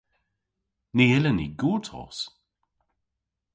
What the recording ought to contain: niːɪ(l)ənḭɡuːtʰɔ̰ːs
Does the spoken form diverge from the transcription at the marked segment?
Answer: no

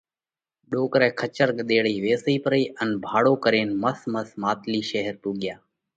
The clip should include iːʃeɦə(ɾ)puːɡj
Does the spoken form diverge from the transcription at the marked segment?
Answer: no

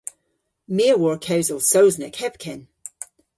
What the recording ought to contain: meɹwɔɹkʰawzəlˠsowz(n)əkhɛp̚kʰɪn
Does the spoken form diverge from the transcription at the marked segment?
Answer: no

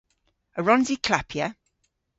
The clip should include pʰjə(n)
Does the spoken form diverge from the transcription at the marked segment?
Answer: yes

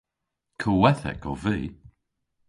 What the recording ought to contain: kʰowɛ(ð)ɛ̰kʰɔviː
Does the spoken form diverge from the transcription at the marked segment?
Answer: yes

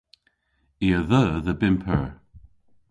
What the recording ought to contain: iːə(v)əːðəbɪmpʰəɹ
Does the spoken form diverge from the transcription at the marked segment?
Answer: yes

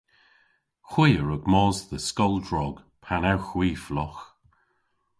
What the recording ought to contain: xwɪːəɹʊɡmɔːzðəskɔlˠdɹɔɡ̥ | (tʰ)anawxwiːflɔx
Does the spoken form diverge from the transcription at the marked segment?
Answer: yes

